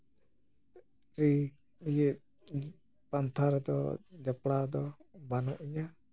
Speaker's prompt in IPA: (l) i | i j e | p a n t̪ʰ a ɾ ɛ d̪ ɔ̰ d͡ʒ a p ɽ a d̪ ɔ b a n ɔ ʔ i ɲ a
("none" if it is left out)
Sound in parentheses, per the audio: ɾ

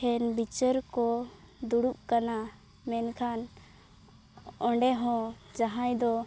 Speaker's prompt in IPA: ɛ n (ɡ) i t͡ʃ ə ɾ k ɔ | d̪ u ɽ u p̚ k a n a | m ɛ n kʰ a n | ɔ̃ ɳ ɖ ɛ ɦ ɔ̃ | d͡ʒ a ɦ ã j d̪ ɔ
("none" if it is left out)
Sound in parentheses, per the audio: b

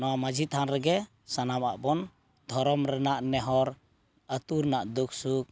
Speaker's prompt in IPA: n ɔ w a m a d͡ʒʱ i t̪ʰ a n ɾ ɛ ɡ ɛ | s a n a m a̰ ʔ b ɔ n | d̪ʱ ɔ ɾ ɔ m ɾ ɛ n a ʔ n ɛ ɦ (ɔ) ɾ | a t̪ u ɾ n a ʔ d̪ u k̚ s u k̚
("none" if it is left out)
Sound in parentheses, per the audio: ɔ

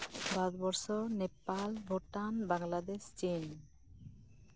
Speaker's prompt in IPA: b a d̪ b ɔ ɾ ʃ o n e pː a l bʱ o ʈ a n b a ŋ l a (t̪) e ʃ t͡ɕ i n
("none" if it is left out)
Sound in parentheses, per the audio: d̪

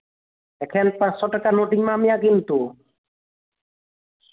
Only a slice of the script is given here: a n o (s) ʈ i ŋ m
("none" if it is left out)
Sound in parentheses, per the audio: none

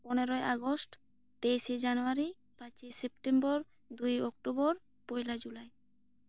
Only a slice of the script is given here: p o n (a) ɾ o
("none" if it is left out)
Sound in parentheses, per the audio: e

